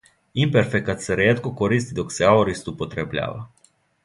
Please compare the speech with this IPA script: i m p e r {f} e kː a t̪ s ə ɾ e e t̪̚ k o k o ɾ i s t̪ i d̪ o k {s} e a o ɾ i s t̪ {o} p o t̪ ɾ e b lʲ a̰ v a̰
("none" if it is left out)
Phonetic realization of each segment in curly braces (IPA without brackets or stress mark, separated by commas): f, s, u